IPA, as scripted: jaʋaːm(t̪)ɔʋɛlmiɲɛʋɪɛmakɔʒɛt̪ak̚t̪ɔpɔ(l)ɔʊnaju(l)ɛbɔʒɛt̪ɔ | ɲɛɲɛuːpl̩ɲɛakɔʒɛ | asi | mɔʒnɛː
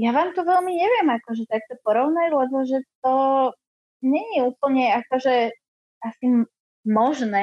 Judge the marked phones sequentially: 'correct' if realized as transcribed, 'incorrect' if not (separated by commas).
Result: correct, incorrect, correct